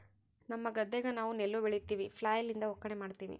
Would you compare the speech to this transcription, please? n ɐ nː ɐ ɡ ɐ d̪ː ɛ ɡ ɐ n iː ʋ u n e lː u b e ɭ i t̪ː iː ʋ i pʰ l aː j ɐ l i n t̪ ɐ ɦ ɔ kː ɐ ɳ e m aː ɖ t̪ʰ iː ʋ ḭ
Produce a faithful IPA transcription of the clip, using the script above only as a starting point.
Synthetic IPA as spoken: n ɐ mː ɐ ɡ ɐ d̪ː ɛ ɡ ɐ n aː ʋ u n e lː u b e ɭ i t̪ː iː ʋ i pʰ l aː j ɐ l i n d̪ ɐ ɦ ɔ kː ɐ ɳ e m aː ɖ t̪ iː ʋ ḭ